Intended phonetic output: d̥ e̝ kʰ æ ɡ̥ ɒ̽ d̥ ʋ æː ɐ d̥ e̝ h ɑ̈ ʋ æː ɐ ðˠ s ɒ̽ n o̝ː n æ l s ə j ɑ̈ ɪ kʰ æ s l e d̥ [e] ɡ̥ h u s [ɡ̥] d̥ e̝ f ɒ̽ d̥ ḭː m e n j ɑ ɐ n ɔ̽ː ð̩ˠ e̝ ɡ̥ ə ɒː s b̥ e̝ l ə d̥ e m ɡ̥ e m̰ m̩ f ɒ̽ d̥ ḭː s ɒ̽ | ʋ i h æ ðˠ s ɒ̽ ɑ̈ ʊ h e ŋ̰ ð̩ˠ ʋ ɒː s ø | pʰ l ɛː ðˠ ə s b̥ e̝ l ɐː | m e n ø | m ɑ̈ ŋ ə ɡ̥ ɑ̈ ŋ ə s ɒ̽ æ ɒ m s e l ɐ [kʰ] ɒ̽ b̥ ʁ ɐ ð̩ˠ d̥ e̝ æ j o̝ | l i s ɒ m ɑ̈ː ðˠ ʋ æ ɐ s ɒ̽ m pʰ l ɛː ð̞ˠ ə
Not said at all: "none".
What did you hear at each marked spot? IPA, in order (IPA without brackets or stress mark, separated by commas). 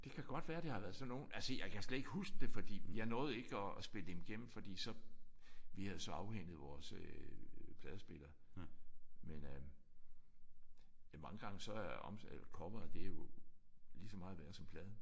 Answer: e, ɡ̥, kʰ